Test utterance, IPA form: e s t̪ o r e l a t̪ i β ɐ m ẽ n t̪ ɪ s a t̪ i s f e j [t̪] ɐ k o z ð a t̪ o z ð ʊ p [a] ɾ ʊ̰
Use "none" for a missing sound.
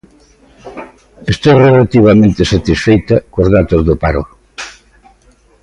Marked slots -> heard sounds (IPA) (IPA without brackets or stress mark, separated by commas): t̪, a